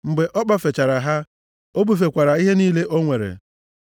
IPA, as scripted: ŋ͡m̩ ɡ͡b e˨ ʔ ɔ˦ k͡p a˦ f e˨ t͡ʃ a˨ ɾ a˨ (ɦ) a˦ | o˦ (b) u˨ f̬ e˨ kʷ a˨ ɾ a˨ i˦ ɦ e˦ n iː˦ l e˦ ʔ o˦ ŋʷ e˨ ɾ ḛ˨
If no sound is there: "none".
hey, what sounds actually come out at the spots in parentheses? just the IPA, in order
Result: ɦ, b

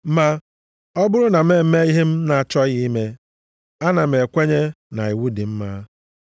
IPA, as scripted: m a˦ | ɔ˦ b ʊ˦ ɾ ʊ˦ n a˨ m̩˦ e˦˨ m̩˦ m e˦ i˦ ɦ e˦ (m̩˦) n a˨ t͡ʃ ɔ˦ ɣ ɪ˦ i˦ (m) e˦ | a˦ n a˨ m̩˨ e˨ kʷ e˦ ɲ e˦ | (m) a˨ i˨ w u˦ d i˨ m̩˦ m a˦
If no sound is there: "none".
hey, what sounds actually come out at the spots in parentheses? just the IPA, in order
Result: m̩˦, m, n

